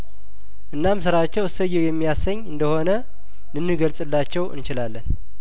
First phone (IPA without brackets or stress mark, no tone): ʔ